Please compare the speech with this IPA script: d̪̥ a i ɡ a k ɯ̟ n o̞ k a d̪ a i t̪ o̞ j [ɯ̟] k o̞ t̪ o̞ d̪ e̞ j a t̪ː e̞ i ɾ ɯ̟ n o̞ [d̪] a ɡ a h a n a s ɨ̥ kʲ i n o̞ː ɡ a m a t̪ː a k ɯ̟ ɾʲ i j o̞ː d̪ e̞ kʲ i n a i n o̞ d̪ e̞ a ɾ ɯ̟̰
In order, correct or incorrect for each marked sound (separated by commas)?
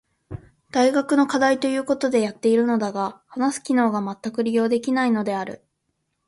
incorrect, correct